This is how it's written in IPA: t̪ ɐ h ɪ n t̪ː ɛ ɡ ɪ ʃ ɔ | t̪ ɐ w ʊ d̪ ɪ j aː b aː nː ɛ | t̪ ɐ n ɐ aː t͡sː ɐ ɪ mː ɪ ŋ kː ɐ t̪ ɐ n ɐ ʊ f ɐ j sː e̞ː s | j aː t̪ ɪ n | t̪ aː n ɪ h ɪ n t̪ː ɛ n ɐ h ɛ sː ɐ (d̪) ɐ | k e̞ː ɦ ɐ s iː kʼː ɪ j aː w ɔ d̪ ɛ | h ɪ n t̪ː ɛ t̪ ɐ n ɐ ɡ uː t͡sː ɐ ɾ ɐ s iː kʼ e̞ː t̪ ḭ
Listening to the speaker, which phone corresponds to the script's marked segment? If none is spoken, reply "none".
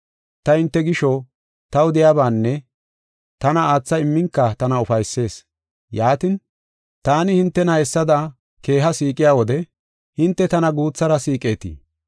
d̪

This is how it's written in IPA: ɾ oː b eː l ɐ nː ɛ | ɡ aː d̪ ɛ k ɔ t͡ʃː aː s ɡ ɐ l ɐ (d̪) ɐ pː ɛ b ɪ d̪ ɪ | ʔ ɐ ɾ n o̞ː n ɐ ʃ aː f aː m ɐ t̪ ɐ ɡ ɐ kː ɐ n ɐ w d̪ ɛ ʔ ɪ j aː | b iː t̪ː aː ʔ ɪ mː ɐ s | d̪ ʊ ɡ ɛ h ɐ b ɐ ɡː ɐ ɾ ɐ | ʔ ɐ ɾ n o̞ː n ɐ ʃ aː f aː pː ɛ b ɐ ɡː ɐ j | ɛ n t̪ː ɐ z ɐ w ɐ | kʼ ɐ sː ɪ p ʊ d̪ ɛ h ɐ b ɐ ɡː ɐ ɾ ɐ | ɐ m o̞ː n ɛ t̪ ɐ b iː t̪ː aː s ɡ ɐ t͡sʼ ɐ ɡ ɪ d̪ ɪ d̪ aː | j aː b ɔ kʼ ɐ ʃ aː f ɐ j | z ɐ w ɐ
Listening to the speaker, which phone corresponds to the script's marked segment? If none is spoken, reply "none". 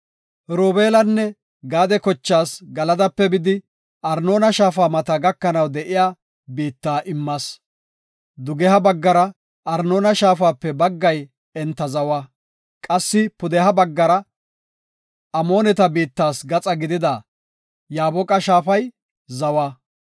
d̪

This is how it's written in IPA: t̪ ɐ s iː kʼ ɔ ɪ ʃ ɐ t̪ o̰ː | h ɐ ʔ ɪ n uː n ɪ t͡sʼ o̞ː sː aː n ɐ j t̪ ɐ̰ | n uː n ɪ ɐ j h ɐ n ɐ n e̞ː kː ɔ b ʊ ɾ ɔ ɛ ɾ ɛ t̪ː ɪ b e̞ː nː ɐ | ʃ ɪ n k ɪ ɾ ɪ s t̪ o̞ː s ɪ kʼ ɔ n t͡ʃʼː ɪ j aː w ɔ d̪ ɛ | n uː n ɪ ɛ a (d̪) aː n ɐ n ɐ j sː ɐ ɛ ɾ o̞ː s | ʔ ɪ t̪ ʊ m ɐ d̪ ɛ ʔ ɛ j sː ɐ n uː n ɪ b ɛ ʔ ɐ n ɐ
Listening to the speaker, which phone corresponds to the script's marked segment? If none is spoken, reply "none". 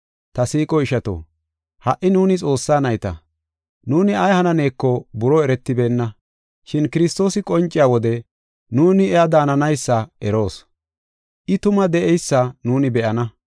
d̪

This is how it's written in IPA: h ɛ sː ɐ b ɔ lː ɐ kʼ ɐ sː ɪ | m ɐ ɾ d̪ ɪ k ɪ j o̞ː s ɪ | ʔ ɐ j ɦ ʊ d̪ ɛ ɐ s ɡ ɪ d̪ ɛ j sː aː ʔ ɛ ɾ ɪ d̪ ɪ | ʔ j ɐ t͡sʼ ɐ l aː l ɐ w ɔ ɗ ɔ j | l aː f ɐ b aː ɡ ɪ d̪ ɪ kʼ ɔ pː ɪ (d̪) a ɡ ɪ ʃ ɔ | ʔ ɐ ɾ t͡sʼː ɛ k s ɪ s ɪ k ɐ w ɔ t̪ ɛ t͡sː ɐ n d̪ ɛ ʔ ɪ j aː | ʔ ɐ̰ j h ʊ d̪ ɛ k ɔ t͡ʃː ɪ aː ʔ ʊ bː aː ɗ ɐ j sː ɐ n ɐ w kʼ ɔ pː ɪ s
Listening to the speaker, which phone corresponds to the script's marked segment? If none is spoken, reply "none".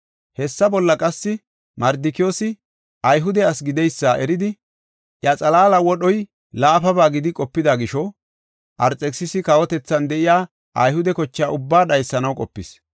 d̪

